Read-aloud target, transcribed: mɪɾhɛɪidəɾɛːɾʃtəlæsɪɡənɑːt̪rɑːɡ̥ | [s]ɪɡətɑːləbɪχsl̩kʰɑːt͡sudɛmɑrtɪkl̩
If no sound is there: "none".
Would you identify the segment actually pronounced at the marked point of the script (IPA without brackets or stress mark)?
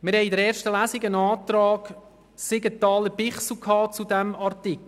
s